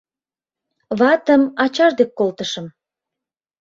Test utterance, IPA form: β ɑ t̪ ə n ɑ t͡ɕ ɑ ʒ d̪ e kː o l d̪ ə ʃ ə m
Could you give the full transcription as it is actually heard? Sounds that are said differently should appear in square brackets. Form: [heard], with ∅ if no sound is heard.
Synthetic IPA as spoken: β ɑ t̪ ə [m] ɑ t͡ɕ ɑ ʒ d̪ e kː o l [t̪] ə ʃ ə m